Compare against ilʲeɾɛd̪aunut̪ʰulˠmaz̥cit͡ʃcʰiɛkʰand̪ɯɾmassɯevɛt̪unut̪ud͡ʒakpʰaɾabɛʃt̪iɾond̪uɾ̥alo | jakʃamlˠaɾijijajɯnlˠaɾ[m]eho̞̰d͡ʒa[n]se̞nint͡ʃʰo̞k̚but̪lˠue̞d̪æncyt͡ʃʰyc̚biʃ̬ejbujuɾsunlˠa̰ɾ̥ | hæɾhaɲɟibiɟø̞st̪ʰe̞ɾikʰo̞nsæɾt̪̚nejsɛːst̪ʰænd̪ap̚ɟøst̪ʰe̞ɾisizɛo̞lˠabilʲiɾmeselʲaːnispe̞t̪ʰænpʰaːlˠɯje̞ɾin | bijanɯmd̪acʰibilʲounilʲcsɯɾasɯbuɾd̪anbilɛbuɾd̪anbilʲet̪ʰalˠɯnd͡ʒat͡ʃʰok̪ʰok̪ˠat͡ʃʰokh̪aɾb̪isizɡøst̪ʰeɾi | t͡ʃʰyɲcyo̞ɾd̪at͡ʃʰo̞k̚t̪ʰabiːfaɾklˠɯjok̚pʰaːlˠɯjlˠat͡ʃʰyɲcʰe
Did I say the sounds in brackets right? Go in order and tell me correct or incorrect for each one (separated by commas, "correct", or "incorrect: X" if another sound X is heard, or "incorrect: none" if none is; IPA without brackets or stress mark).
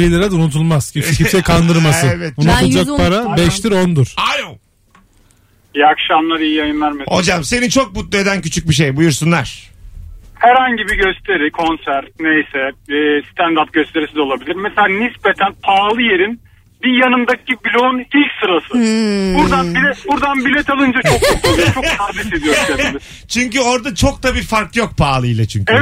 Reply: correct, incorrect: m